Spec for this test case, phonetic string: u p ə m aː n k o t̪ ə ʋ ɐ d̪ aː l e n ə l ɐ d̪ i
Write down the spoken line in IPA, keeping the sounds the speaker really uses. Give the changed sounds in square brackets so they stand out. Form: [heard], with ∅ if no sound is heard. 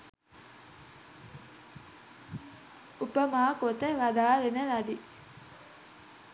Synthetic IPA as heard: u p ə m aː [∅] k o t̪ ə ʋ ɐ d̪ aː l e n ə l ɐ d̪ i